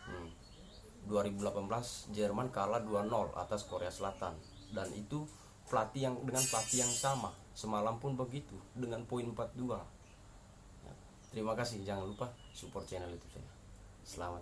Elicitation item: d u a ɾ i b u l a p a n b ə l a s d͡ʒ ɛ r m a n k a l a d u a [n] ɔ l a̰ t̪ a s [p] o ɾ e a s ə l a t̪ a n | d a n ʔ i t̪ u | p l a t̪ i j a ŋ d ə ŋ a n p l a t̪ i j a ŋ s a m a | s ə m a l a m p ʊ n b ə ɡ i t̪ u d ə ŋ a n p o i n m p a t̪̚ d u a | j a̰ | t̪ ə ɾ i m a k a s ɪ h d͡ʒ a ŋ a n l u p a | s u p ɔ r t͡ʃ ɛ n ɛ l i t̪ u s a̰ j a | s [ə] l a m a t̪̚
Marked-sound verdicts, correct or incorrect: correct, incorrect: k, correct

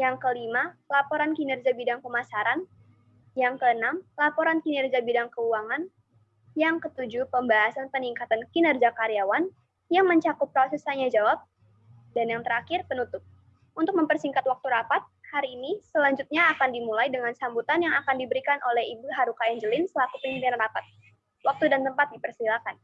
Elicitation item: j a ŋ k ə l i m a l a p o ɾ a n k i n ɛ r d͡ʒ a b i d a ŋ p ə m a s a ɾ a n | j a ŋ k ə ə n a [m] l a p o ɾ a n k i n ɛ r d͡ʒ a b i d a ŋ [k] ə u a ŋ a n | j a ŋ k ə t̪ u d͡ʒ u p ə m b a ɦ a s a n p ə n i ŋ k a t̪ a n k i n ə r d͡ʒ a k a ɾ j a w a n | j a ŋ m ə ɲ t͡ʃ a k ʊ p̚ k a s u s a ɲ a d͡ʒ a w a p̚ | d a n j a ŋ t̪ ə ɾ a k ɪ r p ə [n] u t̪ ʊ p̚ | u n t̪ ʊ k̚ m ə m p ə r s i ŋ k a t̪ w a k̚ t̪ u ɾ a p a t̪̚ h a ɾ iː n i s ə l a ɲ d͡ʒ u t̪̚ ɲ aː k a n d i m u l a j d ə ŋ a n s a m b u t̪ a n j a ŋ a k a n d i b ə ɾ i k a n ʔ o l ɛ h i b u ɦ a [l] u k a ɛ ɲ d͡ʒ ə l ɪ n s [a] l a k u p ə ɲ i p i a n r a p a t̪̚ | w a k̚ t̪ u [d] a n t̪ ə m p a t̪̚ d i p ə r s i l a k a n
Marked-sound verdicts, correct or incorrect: correct, correct, correct, incorrect: ɾ, incorrect: ə, correct

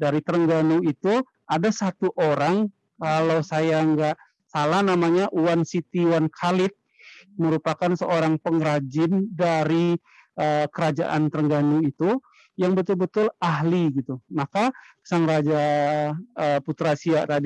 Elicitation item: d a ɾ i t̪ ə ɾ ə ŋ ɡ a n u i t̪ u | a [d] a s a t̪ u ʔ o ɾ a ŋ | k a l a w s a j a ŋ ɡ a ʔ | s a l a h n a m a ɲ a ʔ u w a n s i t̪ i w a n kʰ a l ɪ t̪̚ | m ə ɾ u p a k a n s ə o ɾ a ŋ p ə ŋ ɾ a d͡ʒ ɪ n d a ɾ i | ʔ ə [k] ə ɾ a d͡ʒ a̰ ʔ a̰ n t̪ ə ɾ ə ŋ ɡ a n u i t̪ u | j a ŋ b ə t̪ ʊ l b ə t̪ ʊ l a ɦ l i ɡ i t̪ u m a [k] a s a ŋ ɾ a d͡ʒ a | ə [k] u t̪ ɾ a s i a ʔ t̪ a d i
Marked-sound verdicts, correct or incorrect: correct, correct, correct, incorrect: p

